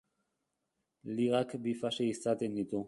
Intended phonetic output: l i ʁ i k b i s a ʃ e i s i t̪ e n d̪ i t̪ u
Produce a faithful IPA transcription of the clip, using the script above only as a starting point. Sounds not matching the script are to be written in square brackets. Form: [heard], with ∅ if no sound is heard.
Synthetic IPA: l i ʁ [a] k b i [f] a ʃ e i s [a] t̪ e n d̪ i t̪ u